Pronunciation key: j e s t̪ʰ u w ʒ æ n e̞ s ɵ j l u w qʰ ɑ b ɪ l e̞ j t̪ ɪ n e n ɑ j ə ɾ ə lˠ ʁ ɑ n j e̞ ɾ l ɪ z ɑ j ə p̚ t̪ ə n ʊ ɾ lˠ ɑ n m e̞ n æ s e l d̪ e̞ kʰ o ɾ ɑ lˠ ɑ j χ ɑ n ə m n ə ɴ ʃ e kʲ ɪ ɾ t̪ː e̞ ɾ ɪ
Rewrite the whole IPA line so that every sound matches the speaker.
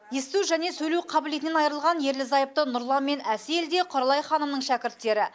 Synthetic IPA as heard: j e s t̪ u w ʒ æ n e̞ s ɵ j l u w qʰ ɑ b ɪ l e̞ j t̪ ɪ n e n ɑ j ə ɾ ə lˠ ʁ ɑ n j e̞ ɾ l ɪ z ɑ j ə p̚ t̪ ə n ʊ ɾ lˠ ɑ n m e̞ n æ s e l d̪ e̞ qʰ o ɾ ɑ lˠ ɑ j χ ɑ n ə m n ə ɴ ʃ æ kʲ ɪ ɾ t̪ː e̞ ɾ ɪ